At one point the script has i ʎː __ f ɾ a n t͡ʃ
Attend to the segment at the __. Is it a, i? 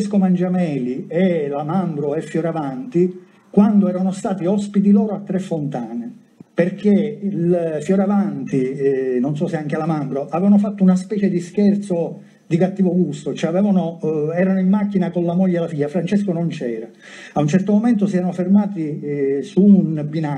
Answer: a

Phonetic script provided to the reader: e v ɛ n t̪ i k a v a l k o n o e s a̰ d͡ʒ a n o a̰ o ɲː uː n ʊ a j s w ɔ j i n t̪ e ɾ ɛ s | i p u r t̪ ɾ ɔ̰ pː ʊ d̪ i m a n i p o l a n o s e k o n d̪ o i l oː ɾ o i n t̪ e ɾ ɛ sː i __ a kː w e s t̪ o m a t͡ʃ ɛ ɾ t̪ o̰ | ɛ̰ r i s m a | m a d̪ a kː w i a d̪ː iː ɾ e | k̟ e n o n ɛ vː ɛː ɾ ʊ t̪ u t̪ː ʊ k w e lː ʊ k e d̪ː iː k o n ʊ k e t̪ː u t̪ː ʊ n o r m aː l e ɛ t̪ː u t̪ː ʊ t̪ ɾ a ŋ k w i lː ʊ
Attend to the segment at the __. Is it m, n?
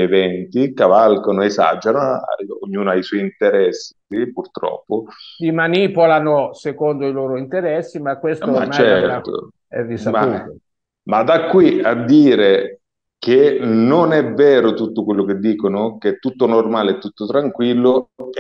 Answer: m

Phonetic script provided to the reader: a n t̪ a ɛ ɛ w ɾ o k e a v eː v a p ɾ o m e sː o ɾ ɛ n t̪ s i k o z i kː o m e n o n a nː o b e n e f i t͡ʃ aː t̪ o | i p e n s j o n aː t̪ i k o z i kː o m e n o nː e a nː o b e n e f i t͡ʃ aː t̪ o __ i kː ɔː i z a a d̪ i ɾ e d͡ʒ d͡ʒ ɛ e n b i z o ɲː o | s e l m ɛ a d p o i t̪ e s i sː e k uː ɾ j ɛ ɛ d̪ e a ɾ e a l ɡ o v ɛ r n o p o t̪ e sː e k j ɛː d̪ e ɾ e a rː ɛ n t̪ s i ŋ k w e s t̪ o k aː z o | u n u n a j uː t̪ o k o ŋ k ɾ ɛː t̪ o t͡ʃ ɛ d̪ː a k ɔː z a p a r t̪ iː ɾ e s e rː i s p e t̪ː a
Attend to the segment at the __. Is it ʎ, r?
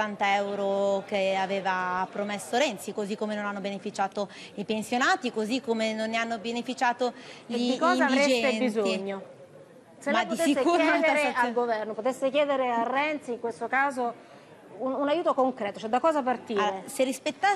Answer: ʎ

